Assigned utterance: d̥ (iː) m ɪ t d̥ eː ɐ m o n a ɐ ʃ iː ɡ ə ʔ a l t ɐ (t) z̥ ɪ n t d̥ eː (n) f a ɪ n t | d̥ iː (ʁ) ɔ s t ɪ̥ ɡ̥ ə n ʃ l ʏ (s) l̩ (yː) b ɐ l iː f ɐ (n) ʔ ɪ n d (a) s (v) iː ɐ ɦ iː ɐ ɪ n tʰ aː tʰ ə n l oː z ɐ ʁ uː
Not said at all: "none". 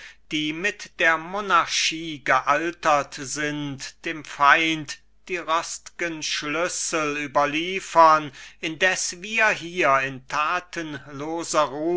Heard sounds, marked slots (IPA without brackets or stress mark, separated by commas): iː, t, m, ʁ, s, yː, n, ɛ, v